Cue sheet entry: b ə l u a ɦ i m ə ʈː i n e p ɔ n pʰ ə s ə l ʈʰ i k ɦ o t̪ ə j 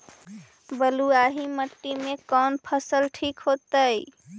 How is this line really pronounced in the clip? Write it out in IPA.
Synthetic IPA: b ə l u a ɦ i m ə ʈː i m e k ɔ n pʰ ə s ə l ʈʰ i k ɦ o t̪ ə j